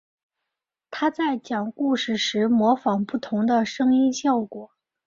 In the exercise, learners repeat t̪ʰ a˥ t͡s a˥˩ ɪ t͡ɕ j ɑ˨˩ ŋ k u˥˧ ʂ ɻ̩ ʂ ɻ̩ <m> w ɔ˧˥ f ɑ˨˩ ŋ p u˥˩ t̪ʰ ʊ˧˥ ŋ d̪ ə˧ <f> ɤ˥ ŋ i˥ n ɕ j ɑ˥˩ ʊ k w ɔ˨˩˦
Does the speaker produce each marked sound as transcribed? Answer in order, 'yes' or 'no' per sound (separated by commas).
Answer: yes, no